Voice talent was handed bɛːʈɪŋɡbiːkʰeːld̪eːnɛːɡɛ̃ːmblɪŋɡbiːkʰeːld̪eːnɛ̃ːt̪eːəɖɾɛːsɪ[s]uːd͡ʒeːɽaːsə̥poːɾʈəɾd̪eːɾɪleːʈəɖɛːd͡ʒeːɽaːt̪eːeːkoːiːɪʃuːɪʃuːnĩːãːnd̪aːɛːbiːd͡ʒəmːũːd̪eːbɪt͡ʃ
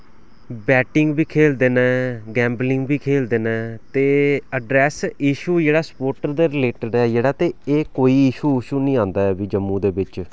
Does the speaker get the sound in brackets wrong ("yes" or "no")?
yes